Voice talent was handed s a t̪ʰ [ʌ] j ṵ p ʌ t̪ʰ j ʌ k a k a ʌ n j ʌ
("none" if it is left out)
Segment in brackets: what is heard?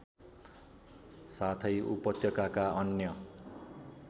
ʌ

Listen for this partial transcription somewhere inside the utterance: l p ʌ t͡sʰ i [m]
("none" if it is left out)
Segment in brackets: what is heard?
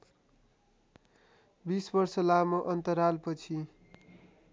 none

